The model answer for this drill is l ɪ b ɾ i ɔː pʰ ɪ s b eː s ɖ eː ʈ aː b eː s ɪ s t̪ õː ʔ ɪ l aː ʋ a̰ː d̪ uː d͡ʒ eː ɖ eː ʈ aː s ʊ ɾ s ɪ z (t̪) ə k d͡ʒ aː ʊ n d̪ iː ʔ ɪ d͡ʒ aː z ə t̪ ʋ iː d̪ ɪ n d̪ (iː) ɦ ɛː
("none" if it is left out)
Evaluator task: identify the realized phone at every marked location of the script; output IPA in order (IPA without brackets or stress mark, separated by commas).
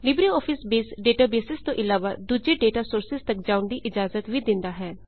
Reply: t̪, aː